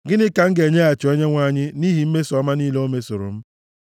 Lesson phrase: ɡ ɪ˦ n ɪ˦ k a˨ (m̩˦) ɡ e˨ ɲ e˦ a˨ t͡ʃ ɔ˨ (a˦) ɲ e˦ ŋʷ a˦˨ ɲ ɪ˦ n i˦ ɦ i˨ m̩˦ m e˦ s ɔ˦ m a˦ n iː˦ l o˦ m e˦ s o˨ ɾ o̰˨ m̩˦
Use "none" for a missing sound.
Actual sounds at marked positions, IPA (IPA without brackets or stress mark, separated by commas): ŋ̩˦, e˦